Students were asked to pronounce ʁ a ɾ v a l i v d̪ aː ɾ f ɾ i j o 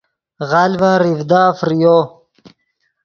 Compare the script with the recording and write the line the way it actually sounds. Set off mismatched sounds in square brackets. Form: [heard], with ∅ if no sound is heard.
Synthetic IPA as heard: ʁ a [l] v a [ɾ] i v d̪ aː [∅] f ɾ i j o

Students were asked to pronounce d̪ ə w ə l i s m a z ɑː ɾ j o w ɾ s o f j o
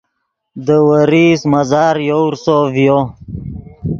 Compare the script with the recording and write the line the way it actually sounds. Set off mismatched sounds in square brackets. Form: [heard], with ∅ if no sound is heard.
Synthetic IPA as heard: d̪ ə w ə [ɾ] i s m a z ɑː ɾ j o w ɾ s o [v] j o

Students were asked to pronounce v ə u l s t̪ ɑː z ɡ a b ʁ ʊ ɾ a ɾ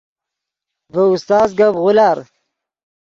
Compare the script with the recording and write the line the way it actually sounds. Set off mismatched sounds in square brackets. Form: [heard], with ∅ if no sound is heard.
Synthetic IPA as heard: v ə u [∅] s t̪ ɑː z ɡ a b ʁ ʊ [l] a ɾ

